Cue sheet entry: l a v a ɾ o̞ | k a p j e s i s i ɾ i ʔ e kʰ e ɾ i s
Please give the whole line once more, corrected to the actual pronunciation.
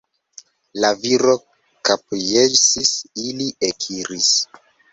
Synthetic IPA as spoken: l a v i ɾ o̞ | k a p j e s i s i l i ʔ e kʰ i ɾ i s